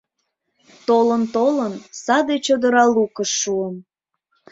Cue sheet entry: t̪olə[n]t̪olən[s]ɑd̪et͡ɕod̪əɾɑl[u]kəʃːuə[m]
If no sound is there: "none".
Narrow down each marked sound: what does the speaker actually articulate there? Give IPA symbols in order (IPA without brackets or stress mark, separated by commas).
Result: n, s, u, m